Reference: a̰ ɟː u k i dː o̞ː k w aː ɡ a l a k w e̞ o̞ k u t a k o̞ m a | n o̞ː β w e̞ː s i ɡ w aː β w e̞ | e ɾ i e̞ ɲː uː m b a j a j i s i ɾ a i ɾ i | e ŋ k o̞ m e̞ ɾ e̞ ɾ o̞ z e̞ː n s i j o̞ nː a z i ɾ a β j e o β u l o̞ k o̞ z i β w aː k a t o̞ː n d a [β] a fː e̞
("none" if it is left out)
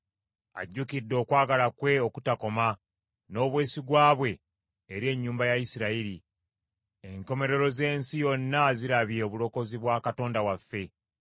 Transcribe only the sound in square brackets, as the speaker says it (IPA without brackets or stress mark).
w